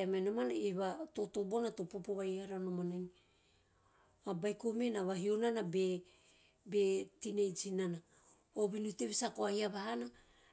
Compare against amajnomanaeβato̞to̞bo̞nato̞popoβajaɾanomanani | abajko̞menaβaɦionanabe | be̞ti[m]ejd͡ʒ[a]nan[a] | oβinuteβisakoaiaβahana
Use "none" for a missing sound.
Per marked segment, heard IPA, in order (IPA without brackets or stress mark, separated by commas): n, i, a